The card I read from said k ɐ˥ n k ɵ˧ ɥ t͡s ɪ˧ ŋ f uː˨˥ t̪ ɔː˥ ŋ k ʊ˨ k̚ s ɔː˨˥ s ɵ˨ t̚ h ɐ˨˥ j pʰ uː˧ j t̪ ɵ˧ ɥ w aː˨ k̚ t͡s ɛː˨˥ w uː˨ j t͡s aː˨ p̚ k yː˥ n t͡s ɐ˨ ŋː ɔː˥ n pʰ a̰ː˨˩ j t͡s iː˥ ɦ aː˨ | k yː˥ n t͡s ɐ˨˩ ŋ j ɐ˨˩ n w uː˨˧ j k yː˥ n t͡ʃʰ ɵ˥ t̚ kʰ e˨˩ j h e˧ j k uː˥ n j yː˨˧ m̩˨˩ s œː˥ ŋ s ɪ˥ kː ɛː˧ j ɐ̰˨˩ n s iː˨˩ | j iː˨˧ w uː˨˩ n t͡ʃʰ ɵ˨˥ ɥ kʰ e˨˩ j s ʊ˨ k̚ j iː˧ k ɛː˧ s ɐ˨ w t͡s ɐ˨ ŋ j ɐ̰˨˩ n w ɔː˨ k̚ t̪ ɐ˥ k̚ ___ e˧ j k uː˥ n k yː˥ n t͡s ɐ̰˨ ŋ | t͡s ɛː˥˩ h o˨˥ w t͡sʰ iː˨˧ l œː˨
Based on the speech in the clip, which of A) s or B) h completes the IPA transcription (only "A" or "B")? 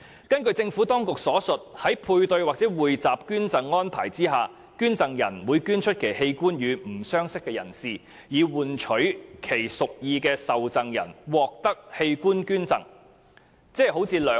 B